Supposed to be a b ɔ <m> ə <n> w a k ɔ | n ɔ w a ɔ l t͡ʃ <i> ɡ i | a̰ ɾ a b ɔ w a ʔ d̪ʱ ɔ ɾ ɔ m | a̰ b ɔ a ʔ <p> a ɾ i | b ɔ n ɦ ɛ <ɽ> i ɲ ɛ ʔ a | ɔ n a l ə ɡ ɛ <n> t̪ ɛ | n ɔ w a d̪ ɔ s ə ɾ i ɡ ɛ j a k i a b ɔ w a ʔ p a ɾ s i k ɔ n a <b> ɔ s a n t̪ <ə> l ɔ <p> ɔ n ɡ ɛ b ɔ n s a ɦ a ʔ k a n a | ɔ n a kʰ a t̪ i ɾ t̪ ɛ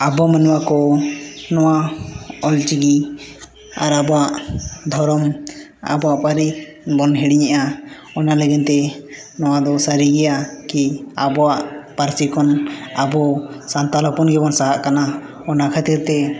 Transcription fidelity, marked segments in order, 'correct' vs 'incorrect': correct, correct, correct, correct, correct, correct, correct, incorrect: a, correct

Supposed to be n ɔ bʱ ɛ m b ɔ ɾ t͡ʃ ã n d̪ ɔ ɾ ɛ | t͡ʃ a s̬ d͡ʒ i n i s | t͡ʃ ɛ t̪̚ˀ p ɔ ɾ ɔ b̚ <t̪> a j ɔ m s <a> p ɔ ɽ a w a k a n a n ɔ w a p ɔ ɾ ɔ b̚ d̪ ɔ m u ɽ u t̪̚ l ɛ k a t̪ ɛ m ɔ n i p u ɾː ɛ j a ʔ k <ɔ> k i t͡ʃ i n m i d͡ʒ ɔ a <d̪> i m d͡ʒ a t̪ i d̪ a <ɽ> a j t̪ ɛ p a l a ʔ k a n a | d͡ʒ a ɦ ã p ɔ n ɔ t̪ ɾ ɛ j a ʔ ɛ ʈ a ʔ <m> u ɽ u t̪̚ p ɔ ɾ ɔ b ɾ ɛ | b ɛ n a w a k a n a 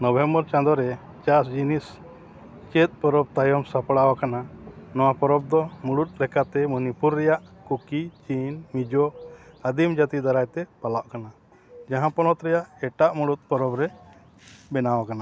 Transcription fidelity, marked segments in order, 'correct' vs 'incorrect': correct, correct, incorrect: u, correct, incorrect: ɾ, correct

